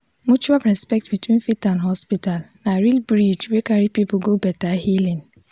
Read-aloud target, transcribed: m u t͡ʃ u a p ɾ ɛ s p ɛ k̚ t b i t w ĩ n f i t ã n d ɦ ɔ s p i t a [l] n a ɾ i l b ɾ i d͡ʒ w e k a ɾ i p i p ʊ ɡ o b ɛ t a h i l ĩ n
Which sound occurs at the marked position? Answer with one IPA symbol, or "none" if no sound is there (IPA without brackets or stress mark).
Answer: l